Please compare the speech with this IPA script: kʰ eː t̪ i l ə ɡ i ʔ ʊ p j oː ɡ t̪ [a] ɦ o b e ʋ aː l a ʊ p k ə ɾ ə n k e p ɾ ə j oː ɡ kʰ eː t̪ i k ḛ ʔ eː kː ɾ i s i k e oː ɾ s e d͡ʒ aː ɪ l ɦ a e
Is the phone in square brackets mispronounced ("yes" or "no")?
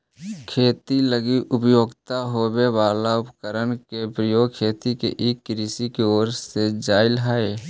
no